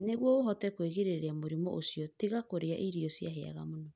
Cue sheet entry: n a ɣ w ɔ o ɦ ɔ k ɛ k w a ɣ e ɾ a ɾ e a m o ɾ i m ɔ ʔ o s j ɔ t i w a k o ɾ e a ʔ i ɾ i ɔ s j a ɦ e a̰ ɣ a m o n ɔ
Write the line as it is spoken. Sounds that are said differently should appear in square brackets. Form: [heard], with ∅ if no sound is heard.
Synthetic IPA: n [e] ɣ w ɔ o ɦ ɔ [t] ɛ k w [e] ɣ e ɾ [e] ɾ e a m o ɾ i m ɔ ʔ o s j ɔ t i [ɣ] a k o ɾ e a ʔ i ɾ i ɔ s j a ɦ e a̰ ɣ a m o n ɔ